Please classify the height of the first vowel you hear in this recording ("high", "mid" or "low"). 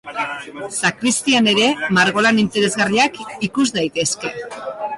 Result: low